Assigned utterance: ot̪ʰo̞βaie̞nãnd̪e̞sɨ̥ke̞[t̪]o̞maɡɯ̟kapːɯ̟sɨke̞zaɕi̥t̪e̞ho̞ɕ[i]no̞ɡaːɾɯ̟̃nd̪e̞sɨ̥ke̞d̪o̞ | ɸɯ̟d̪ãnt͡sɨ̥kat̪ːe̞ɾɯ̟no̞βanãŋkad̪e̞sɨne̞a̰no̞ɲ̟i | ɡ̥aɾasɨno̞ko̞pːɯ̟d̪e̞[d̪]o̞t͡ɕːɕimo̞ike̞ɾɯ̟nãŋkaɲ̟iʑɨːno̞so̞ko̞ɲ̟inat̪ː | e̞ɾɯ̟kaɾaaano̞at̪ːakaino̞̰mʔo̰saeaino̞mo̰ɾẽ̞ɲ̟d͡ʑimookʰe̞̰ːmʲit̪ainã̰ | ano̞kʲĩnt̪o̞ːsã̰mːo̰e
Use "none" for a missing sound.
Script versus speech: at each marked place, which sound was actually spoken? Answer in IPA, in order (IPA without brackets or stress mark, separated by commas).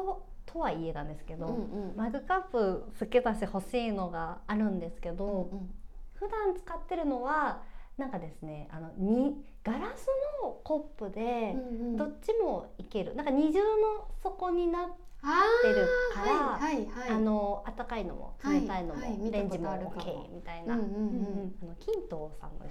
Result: d̪, iː, d̪